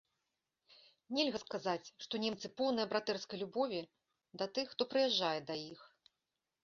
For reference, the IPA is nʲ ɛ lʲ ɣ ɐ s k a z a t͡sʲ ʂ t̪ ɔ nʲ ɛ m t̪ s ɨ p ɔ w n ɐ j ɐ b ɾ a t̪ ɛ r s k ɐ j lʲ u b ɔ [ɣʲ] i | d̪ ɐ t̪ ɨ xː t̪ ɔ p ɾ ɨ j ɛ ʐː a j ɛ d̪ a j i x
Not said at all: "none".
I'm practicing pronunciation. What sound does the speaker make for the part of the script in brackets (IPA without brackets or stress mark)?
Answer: vʲ